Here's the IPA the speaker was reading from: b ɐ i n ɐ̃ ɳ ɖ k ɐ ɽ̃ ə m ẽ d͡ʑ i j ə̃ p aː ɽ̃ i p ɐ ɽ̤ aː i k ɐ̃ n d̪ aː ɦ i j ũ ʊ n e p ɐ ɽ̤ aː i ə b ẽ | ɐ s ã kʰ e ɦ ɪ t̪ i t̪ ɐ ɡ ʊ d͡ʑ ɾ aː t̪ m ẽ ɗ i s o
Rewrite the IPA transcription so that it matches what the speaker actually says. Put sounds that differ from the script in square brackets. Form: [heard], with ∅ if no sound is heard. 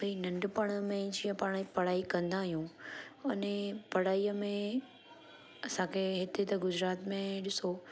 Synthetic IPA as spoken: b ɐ i n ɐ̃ ɳ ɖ [p] ɐ ɽ̃ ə m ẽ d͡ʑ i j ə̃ p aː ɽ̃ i p ɐ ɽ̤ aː i k ɐ̃ n d̪ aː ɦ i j ũ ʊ n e p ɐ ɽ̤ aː i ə [m] ẽ | ɐ s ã kʰ e ɦ ɪ t̪ [e] t̪ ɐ ɡ ʊ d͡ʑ ɾ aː t̪ m ẽ ɗ [ɪ] s o

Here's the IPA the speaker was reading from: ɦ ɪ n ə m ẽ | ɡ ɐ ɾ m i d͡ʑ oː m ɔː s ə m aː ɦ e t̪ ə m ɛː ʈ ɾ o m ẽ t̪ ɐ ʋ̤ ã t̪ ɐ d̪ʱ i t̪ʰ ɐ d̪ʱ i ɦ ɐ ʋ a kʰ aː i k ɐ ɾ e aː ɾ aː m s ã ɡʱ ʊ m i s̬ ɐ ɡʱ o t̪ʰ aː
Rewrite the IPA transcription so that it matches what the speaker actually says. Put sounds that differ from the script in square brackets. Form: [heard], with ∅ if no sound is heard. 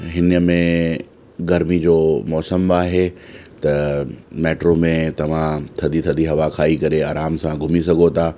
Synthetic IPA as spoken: ɦ ɪ n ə m ẽ | ɡ ɐ ɾ m i d͡ʑ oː m ɔː s ə m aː ɦ e t̪ [ɐ] m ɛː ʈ ɾ o m ẽ t̪ ɐ ʋ̤ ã [t̪ʰ] ɐ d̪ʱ i t̪ʰ ɐ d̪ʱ i ɦ ɐ ʋ a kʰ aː i k ɐ ɾ e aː ɾ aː m s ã ɡʱ ʊ m i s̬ ɐ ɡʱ o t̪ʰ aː

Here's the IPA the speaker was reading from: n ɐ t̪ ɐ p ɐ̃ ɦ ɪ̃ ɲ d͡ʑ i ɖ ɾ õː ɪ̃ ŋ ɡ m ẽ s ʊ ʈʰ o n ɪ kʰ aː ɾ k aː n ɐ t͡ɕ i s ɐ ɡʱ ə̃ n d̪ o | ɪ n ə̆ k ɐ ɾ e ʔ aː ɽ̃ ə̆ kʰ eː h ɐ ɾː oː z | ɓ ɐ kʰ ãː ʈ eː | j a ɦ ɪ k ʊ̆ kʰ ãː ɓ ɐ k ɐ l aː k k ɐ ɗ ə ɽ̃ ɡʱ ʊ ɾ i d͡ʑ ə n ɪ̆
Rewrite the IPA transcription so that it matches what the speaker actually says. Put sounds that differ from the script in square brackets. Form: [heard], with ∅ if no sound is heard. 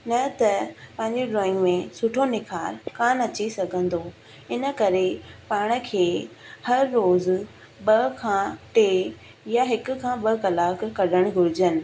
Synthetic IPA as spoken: n ɐ t̪ ɐ p ɐ̃ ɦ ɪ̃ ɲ d͡ʑ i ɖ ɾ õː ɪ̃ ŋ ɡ m ẽ s ʊ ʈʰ o n ɪ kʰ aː ɾ k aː n ɐ t͡ɕ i s ɐ ɡʱ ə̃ n d̪ o | ɪ n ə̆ k ɐ ɾ e [p] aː ɽ̃ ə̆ kʰ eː h ɐ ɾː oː z | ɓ ɐ kʰ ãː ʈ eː | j a ɦ ɪ k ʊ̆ kʰ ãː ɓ ɐ k ɐ l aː k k ɐ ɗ ə ɽ̃ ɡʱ ʊ ɾ [ɪ] d͡ʑ ə n ɪ̆

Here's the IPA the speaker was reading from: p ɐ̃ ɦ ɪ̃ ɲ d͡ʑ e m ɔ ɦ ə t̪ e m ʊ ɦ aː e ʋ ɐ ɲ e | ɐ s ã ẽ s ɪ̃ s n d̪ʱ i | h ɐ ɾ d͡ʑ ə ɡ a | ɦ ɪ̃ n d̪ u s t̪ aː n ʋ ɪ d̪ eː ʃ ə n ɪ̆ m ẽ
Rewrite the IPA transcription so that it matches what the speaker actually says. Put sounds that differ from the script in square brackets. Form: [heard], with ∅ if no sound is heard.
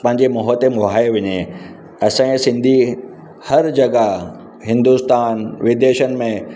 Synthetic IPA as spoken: p ɐ̃ ɦ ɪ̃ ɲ d͡ʑ e m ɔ ɦ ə t̪ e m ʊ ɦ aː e ʋ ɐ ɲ e | ɐ s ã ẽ s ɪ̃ [∅] n d̪ʱ i | h ɐ ɾ d͡ʑ [ɐ] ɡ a | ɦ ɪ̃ n d̪ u s t̪ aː n ʋ ɪ d̪ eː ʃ ə n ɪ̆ m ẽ

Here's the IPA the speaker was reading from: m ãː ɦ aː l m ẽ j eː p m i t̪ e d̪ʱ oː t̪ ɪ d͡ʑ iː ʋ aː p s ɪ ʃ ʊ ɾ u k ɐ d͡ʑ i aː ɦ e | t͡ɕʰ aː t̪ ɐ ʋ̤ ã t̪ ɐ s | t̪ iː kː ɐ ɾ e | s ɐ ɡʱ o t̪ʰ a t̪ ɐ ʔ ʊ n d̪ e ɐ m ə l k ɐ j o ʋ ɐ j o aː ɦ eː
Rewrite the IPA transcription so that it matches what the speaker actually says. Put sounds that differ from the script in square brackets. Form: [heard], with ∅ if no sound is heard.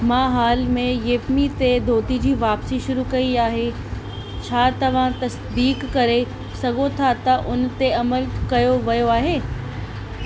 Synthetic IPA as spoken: m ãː ɦ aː l m ẽ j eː p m i t̪ e d̪ʱ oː t̪ [i] d͡ʑ iː ʋ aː p s [i] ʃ ʊ ɾ u k ɐ [∅] i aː ɦ e | t͡ɕʰ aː t̪ ɐ ʋ̤ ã t̪ ɐ s | [d̪] iː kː ɐ ɾ e | s ɐ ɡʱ o t̪ʰ a t̪ ɐ ʔ ʊ n [t̪] e ɐ m ə l k ɐ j o ʋ ɐ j o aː ɦ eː

